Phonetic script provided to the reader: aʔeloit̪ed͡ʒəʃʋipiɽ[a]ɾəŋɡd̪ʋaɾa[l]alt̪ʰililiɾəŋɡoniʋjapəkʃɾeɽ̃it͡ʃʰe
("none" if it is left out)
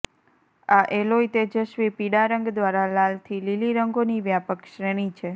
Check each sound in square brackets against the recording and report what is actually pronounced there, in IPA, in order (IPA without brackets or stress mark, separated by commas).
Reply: a, l